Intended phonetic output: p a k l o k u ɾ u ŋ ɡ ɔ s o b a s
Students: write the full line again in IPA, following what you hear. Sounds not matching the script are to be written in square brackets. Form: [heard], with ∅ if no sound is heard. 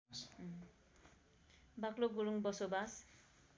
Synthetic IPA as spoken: [b] a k l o [ɡ] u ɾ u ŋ [b] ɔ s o b a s